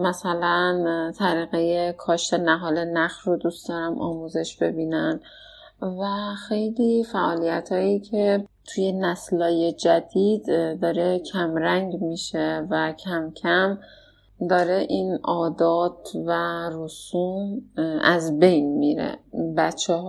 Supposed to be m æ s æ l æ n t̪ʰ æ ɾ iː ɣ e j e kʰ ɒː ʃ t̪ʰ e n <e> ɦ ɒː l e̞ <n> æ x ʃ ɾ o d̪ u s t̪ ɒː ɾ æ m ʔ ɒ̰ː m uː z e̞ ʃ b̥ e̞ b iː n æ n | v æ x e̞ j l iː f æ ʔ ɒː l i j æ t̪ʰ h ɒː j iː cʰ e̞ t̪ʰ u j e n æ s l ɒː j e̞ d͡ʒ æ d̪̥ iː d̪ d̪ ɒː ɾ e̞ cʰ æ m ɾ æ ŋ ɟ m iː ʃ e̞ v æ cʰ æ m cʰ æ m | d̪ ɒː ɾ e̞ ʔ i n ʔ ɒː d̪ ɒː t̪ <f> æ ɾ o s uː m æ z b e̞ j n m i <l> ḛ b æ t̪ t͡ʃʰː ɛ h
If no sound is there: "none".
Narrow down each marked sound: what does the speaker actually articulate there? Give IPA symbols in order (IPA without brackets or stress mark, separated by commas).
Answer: æ, n, v, ɾ